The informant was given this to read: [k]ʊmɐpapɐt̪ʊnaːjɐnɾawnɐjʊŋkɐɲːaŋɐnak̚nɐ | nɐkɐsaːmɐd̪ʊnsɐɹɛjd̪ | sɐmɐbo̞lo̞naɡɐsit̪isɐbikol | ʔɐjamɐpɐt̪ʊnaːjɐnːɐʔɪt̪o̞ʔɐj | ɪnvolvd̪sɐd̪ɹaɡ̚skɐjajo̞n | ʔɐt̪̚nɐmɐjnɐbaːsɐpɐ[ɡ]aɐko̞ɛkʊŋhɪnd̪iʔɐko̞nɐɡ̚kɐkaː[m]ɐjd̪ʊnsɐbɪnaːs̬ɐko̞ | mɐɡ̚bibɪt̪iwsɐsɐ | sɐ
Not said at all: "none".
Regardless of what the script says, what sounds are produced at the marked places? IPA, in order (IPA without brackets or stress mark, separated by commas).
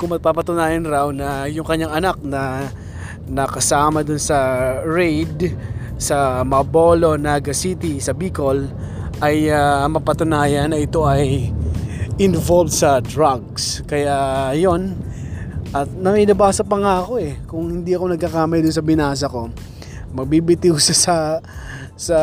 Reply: k, ŋ, m